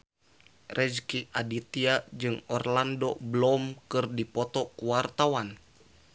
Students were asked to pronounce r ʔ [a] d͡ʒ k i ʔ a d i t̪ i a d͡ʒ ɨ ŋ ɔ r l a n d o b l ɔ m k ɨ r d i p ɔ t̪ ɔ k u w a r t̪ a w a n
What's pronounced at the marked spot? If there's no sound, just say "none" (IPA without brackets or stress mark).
ɛ